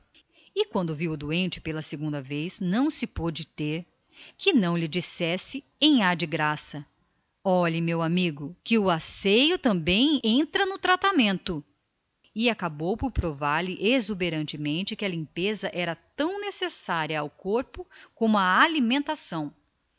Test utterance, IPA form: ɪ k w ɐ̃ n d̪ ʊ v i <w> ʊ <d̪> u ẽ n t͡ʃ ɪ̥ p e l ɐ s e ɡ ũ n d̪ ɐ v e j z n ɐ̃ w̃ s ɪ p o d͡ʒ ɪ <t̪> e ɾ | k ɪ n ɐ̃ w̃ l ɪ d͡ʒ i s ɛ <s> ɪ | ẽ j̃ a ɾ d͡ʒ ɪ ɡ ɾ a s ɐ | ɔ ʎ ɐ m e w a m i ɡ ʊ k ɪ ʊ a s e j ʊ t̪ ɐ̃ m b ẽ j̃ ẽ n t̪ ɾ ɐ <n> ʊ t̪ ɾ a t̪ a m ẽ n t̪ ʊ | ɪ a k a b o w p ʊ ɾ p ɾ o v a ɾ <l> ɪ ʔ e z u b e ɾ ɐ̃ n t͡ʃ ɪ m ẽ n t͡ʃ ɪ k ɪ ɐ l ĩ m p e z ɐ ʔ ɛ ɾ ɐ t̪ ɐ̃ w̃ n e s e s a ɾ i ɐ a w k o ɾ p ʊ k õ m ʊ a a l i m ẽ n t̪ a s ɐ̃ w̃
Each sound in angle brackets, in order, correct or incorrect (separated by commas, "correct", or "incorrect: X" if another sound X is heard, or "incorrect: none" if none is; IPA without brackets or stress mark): correct, correct, correct, correct, correct, correct